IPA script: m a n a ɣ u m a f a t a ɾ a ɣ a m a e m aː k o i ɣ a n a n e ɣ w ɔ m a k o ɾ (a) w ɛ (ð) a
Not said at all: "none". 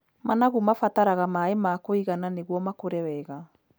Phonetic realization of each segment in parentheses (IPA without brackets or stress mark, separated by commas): ɛ, ɣ